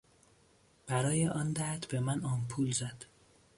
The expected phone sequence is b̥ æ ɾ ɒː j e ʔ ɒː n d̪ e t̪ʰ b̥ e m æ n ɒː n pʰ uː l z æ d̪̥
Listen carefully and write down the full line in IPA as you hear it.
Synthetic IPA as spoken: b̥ æ ɾ ɒː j e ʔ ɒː n d̪ æ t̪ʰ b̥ e m æ n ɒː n pʰ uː l z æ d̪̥